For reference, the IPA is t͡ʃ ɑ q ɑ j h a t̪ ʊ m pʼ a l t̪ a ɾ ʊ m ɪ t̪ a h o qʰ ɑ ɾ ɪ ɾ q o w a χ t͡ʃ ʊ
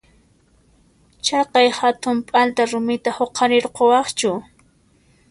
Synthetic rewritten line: t͡ʃ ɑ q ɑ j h a t̪ ʊ m pʼ a l t̪ a ɾ ʊ m ɪ t̪ a h o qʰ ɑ ɾ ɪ ɾ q o w ɑ χ t͡ʃ ʊ